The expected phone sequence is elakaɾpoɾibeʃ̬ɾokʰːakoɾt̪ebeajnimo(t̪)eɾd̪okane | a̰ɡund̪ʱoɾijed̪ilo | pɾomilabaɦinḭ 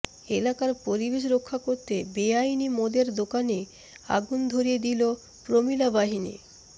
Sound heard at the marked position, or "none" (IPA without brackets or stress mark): d̪